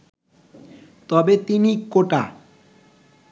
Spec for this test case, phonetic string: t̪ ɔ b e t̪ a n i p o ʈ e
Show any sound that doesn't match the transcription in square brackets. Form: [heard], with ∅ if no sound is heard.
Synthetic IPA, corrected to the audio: t̪ ɔ b e t̪ [i] n i [k] o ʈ [a]